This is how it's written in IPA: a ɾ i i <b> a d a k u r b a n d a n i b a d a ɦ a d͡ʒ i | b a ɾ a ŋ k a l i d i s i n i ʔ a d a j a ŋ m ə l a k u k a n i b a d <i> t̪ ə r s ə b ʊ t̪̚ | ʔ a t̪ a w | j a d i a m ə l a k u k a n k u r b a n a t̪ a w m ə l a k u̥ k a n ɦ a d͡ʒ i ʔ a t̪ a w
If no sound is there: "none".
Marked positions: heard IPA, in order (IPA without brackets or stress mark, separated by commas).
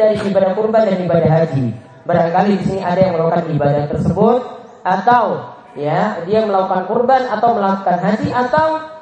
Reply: b, a